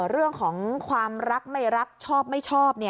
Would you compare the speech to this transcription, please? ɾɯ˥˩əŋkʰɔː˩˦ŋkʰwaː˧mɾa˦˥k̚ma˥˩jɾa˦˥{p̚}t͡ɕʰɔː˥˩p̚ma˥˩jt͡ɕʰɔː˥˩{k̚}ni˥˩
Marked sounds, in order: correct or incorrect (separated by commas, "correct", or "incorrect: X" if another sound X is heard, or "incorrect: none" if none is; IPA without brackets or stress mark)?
incorrect: k̚, incorrect: p̚